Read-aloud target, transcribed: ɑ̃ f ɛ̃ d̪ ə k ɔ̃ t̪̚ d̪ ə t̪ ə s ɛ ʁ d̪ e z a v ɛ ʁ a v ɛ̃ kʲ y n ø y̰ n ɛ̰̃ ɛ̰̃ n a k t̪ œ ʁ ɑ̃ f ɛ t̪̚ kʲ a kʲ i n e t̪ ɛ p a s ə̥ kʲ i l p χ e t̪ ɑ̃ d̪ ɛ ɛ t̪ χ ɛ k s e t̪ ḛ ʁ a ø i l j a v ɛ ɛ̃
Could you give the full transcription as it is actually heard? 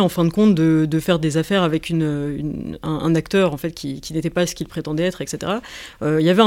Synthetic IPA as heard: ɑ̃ f ɛ̃ d̪ ə k ɔ̃ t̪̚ d̪ ə d̪ ə f ɛ ʁ d̪ e z a f ɛ ʁ a v ɛ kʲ y n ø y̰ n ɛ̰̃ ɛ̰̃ n a k t̪ œ ʁ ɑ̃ f ɛ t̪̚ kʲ i kʲ i n e t̪ ɛ p a s ə̥ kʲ i l p χ e t̪ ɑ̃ d̪ ɛ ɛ t̪ χ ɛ k s e t̪ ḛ ʁ a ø i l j a v ɛ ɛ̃